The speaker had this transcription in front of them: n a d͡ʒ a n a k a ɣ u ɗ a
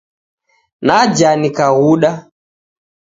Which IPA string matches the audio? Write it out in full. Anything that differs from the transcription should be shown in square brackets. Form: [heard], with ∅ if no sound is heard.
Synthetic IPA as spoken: n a d͡ʒ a n [i] k a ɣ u ɗ a